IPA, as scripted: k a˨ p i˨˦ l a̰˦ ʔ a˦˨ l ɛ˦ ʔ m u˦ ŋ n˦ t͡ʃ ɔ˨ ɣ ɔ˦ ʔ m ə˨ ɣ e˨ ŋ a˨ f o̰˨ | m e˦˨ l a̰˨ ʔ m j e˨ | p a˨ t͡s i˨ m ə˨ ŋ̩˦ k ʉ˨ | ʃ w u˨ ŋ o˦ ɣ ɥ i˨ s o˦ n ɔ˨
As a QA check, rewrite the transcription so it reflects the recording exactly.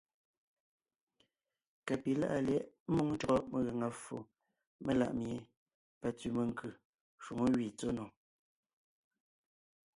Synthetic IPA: k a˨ p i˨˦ l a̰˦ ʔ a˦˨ l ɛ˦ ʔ m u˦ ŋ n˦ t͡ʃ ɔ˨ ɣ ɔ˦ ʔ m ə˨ ɣ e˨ ŋ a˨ f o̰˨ | m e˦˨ l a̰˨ ʔ m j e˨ | p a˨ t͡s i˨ m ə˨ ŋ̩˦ k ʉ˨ | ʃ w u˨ ŋ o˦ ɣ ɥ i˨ t͡s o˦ n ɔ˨